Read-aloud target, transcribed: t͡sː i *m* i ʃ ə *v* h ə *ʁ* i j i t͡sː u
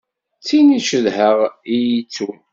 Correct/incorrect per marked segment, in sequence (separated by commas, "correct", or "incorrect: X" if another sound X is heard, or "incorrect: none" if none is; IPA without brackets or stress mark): incorrect: n, incorrect: ð, correct